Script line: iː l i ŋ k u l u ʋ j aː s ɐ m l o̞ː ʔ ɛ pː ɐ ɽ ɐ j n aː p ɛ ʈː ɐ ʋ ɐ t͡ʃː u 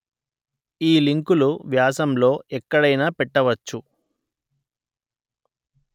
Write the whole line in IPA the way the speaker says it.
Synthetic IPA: iː l i ŋ k u l u ʋ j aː s ɐ m l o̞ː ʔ ɛ kː ɐ ɽ ɐ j n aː p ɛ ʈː ɐ ʋ ɐ t͡ʃː u